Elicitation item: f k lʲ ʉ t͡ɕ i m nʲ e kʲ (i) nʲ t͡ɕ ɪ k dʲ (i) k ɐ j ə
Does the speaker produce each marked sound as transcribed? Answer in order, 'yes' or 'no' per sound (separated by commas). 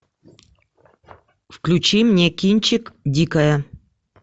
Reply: yes, yes